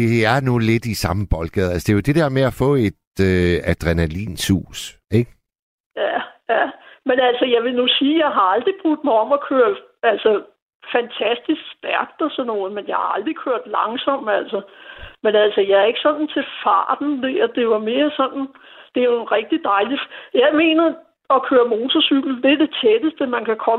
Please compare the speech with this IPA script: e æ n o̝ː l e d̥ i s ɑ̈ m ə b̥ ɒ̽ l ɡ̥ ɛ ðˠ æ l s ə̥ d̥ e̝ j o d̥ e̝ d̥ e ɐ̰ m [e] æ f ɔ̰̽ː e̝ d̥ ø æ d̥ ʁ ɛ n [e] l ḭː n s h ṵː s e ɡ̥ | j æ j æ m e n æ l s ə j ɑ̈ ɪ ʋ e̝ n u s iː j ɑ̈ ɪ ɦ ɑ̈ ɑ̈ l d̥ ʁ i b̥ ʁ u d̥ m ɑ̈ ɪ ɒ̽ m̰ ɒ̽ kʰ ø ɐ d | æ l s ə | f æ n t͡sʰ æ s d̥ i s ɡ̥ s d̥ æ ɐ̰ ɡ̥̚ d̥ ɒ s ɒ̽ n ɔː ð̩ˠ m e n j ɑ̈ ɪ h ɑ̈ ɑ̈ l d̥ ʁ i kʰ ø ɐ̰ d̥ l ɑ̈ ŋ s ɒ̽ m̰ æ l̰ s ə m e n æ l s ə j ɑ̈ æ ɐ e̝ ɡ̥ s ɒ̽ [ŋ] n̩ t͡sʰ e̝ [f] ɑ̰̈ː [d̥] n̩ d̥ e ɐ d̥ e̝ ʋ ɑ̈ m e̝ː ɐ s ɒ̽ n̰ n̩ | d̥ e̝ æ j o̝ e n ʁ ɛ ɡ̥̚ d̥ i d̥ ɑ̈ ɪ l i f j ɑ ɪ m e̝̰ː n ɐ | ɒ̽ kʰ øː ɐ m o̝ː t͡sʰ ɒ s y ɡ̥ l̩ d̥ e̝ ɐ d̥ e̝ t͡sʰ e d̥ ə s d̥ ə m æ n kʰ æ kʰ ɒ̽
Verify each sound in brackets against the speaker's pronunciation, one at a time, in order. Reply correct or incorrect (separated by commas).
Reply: correct, incorrect, incorrect, correct, correct